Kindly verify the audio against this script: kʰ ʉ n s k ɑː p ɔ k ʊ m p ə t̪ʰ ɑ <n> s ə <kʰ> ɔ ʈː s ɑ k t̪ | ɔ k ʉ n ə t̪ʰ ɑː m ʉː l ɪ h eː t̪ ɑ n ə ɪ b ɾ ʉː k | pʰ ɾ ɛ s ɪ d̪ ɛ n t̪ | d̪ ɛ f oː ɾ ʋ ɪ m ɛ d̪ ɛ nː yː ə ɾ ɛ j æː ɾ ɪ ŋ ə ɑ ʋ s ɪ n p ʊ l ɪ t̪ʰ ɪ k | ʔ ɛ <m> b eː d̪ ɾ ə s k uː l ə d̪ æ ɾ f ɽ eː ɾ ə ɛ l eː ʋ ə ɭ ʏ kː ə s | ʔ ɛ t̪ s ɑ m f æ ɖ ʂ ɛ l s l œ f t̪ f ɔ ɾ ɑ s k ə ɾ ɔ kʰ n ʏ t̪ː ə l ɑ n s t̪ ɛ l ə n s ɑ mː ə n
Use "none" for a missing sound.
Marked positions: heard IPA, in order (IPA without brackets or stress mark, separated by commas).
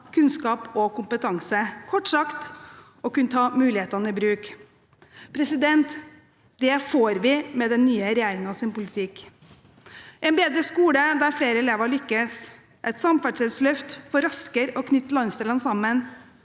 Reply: ŋ, kʰ, n